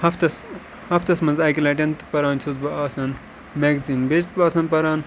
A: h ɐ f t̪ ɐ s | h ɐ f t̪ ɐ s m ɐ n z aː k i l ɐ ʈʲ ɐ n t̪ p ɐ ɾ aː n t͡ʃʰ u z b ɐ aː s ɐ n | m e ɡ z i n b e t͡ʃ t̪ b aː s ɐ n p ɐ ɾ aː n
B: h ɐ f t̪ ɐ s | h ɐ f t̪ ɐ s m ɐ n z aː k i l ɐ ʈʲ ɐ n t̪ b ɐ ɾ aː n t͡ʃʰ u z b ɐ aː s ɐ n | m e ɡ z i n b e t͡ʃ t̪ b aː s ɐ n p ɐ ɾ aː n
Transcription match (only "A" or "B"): A